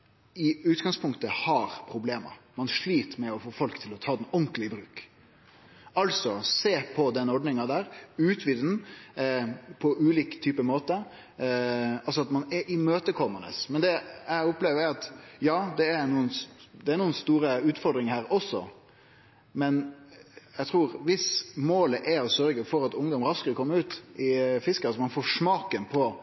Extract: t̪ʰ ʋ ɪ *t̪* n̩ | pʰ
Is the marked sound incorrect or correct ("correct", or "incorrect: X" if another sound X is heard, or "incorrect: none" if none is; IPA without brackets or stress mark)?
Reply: incorrect: d̪